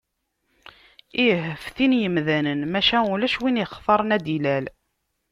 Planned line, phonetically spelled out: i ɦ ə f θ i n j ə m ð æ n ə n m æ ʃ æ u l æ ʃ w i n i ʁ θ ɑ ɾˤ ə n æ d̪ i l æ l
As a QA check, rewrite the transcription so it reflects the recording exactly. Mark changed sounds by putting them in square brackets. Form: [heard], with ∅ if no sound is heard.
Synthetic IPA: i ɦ ə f θ i n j ə m ð æ n ə n m æ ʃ æ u l æ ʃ w i n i [χ] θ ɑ ɾˤ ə n æ d̪ i l æ l

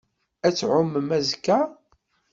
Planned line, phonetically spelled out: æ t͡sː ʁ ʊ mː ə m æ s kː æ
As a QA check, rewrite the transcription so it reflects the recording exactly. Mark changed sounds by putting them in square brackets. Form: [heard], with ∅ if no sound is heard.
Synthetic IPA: æ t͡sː [ʕ] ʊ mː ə m æ [z] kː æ

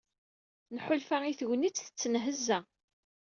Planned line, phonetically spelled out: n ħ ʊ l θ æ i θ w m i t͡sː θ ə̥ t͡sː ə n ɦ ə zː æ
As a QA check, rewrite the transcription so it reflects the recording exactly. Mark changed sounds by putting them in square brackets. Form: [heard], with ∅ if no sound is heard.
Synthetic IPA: n ħ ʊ l [f] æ i θ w [n] i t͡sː θ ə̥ t͡sː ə n ɦ ə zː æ

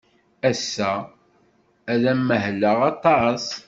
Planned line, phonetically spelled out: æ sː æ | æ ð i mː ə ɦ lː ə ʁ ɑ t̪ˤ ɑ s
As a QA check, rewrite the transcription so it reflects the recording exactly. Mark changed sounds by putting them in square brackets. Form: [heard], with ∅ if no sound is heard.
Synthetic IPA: æ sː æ | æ ð [æ] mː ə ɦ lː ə ʁ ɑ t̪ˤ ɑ s

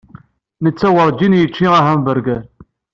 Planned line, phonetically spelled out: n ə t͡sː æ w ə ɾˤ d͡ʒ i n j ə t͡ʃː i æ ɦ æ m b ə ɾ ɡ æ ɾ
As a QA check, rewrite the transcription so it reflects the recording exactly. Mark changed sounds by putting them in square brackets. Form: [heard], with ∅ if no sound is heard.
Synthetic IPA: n ə t͡sː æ w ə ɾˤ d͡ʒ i n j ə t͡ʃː i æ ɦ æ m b ə ɾ ɡ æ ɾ

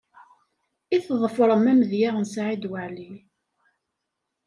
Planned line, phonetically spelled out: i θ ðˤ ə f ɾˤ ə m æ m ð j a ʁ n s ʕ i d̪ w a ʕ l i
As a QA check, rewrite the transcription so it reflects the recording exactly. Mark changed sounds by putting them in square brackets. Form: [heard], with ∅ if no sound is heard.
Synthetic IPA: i θ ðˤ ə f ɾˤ ə m æ m ð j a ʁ n s ʕ i d̪ w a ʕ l i

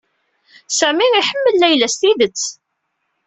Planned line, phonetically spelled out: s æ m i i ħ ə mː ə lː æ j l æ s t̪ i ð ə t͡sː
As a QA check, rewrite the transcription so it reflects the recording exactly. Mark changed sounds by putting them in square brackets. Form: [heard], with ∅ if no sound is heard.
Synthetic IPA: s æ m i i ħ ə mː ə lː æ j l æ s t̪ i ð ə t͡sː

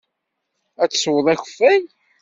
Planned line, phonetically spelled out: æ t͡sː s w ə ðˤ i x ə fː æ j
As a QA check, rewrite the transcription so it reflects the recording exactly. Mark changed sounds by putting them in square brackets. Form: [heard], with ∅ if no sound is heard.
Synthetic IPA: æ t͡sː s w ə ðˤ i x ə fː æ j

